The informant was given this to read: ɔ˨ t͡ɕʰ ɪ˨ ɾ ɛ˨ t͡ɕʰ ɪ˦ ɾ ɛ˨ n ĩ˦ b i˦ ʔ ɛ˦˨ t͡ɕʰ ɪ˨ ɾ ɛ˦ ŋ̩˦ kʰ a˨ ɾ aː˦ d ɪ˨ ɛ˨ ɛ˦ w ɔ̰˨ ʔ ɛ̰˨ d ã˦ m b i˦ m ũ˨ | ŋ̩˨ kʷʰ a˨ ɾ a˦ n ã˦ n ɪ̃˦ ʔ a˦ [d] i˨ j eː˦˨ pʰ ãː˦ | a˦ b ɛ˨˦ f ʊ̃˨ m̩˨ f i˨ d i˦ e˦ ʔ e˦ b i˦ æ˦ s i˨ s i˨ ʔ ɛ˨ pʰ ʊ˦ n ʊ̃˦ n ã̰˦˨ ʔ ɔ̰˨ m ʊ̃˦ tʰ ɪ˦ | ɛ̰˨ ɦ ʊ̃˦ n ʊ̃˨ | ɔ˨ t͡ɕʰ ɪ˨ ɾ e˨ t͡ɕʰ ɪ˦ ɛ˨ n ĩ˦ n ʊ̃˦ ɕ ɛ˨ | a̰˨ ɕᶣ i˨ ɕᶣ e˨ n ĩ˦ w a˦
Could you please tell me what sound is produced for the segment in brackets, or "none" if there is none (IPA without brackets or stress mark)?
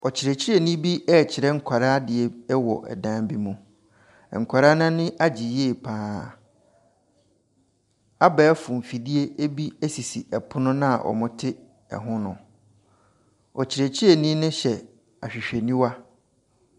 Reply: d͡ʑ